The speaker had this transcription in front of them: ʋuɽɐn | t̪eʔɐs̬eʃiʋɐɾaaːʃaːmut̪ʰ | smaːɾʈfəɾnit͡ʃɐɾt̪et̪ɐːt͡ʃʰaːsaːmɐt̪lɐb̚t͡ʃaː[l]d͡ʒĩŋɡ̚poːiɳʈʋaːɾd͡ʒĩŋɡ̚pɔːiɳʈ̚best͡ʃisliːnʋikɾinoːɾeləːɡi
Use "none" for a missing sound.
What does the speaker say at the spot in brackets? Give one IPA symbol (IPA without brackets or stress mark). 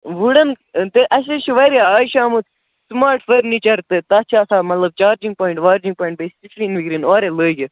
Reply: ɾ